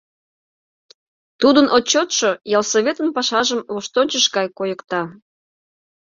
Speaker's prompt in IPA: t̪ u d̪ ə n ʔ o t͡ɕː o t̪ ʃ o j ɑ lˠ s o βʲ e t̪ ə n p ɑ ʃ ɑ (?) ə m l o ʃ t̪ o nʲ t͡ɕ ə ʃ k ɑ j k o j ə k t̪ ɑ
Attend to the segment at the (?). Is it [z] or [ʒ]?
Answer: ʒ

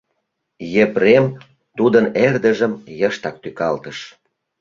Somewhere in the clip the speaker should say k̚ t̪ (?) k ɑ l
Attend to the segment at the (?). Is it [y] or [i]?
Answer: y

